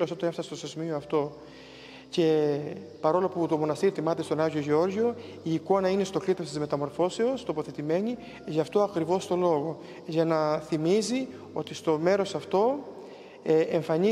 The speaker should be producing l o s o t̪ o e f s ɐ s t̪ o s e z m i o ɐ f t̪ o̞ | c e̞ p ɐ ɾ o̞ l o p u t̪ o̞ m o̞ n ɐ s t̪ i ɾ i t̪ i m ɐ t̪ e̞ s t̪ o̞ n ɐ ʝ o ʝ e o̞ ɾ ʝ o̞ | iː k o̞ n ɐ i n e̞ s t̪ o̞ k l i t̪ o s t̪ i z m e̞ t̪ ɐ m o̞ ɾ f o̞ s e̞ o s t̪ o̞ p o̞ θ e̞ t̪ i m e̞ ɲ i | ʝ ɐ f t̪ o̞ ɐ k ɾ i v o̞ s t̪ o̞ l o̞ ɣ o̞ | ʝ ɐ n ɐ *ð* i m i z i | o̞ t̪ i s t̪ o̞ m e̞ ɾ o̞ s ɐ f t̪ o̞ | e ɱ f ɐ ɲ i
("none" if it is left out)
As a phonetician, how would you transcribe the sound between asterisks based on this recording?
θ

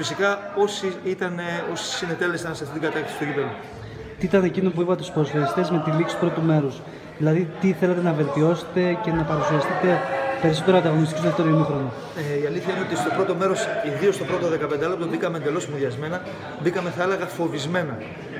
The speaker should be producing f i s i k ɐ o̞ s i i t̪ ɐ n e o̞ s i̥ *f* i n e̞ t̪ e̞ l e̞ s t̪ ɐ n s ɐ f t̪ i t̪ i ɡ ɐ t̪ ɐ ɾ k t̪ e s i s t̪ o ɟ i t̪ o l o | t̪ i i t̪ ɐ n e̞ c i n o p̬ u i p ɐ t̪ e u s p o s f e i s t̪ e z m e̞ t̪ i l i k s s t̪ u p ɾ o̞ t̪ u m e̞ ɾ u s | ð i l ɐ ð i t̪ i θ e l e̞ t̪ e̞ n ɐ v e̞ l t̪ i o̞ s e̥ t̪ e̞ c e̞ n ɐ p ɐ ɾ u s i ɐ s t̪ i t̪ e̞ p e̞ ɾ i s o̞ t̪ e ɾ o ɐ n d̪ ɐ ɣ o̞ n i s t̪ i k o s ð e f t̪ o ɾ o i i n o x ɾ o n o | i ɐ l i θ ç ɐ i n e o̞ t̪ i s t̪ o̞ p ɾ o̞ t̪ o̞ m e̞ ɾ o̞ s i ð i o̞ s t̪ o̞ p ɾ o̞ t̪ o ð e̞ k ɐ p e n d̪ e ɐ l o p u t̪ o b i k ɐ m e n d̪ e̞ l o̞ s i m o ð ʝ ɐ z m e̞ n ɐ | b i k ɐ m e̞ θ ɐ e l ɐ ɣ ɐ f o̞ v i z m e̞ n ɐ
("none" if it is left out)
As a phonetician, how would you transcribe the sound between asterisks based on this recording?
s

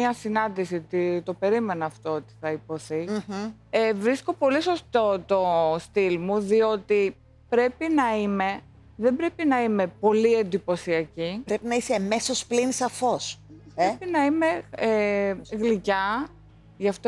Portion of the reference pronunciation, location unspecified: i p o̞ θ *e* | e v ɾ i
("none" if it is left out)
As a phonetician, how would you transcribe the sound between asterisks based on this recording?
i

